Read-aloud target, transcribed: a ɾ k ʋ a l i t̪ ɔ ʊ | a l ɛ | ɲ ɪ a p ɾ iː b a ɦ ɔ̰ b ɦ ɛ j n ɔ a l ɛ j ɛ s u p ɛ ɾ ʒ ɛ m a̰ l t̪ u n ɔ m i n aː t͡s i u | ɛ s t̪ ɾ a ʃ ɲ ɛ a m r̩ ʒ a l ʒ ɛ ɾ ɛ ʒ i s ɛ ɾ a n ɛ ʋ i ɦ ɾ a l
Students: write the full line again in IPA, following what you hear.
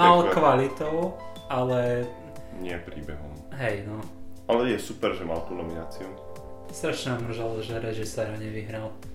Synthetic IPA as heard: a l k ʋ a l i t̪ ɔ ʊ | a l ɛ | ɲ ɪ ɛ p ɾ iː b ɛ ɦ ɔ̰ m ɦ ɛ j n ɔ a l ɛ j ɛ s u p ɛ ɾ ʒ ɛ m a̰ l t̪ u n ɔ m i n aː t͡s i u | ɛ s t̪ ɾ a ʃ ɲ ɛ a m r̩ ʒ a l ʒ ɛ ɾ ɛ ʒ i s ɛ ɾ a ɲ ɛ ʋ i ɦ ɾ a l